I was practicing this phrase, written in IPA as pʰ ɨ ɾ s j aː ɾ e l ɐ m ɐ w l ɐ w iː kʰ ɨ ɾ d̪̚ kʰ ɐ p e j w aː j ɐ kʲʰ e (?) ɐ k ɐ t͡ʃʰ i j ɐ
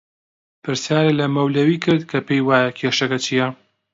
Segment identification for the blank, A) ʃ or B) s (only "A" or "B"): A